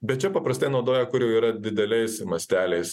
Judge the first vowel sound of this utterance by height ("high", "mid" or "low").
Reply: mid